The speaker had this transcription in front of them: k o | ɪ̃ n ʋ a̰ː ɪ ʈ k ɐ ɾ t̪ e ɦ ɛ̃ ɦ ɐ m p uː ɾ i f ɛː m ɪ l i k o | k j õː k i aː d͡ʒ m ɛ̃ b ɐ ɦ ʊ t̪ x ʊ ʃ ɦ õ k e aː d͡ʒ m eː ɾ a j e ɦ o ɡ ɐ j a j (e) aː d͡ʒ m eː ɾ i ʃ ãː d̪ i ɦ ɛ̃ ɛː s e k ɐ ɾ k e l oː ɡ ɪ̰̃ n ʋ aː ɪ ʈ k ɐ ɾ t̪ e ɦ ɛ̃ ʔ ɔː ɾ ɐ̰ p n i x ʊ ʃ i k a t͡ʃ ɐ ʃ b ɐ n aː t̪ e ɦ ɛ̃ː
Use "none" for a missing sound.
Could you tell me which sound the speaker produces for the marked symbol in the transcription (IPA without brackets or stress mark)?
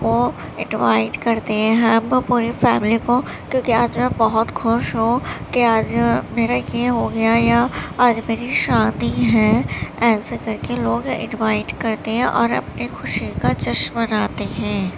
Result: a